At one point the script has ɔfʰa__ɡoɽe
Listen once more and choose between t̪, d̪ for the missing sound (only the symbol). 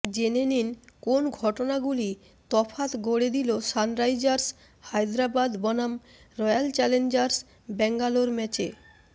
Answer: t̪